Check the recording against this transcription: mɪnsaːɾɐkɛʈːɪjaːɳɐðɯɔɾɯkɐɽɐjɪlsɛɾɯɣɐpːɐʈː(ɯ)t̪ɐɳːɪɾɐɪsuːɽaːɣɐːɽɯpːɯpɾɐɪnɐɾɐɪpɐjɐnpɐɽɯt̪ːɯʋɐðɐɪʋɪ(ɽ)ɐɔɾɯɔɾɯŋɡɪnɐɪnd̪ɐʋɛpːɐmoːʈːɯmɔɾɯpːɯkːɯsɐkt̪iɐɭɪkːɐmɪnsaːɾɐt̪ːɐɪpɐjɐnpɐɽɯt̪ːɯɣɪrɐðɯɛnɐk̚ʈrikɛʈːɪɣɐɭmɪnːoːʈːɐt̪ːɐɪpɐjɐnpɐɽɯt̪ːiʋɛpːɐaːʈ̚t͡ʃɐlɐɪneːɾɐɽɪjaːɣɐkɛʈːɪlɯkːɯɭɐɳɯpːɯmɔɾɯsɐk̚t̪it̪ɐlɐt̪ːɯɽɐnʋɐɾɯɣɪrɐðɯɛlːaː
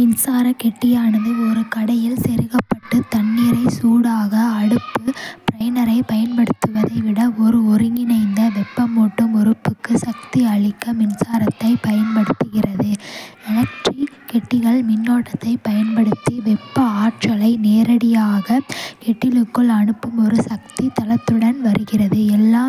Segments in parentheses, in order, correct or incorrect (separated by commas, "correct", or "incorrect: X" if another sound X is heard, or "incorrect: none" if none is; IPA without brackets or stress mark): correct, correct